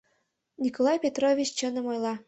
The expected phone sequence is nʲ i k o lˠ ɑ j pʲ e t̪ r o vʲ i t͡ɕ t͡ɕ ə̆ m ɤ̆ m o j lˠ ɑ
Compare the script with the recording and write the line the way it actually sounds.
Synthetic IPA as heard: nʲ i k o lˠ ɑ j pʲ e t̪ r o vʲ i t͡ɕ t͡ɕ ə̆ n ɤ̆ m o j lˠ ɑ